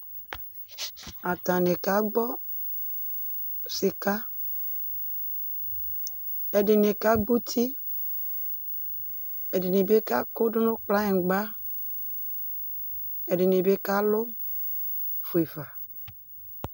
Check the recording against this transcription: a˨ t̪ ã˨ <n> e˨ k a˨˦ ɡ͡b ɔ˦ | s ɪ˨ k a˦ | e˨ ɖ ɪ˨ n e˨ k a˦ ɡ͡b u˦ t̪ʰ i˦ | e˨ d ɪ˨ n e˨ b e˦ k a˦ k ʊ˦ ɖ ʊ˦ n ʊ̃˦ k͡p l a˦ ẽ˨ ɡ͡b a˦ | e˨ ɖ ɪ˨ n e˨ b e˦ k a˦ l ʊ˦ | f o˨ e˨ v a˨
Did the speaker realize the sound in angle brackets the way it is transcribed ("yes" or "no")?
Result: yes